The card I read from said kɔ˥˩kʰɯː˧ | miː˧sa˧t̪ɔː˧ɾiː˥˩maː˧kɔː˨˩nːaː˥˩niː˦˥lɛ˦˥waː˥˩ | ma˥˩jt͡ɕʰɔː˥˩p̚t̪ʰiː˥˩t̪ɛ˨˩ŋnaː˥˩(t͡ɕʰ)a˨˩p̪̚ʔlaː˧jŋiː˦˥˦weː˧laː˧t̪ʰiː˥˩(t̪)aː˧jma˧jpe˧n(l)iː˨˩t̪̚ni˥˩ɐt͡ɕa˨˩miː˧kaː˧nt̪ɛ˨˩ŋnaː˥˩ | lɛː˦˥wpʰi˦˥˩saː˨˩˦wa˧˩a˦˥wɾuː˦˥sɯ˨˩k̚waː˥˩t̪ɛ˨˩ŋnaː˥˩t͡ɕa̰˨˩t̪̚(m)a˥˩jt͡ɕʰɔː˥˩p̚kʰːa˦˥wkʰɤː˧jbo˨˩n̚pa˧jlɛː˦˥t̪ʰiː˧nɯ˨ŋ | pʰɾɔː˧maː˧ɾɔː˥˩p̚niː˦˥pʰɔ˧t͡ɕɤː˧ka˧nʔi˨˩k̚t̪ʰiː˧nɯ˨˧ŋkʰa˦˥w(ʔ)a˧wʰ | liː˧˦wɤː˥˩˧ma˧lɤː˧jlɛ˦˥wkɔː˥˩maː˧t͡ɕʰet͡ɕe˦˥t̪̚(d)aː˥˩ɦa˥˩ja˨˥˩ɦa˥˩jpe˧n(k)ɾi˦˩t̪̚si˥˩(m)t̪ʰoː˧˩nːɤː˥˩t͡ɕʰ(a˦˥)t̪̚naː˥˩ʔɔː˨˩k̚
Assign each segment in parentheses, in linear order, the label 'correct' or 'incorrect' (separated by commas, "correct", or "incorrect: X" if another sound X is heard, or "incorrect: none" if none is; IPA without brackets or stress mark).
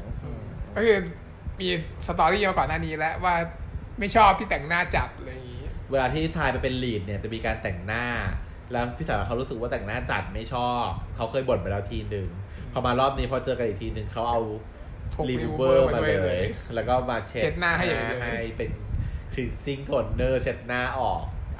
incorrect: t͡ɕ, incorrect: t̪ʰ, correct, correct, correct, incorrect: n, incorrect: kʰ, incorrect: ŋ, incorrect: e˦˥